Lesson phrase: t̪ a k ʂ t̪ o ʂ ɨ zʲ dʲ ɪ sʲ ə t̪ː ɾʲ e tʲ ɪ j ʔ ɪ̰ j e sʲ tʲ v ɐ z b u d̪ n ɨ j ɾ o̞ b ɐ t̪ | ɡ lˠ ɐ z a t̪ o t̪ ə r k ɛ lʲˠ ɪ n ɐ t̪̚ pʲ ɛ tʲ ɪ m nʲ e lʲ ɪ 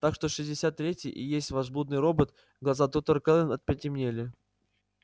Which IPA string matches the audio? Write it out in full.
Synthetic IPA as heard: t̪ a k ʂ t̪ o ʂ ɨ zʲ dʲ ɪ sʲ a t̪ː ɾʲ e tʲ ɪ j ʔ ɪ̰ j e sʲ tʲ v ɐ z b u d̪ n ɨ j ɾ o̞ b ə t̪ | ɡ lˠ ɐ z a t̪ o t̪ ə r k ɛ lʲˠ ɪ n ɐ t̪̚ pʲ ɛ tʲ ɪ m nʲ e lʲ ɪ